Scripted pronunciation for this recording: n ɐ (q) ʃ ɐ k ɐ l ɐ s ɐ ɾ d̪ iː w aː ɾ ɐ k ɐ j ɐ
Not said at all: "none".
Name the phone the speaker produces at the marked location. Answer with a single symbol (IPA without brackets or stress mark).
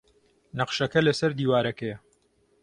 q